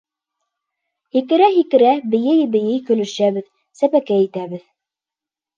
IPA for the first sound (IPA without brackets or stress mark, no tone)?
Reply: h